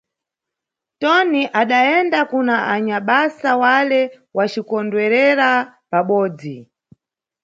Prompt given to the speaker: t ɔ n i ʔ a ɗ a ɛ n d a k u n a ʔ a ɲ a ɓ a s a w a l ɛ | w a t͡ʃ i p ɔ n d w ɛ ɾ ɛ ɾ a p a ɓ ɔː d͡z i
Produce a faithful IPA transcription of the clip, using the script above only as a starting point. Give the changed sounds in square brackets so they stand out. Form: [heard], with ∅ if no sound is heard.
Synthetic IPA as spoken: t ɔ n i ʔ a ɗ a ɛ n d a k u n a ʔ a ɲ a ɓ a s a w a l ɛ | w a t͡ʃ i [k] ɔ n d w ɛ ɾ ɛ ɾ a p a ɓ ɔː d͡z i